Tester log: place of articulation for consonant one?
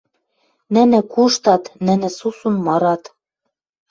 alveolar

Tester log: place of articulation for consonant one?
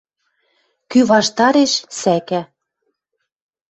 velar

